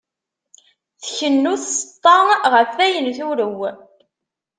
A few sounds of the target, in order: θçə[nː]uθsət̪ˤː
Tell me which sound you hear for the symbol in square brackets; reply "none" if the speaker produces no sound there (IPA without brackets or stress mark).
nː